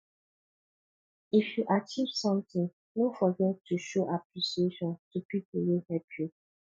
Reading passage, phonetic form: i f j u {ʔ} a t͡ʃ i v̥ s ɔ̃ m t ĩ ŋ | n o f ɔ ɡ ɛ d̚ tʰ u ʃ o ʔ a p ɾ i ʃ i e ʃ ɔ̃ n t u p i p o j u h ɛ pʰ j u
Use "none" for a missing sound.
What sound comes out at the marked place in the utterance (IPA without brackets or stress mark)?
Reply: ʔ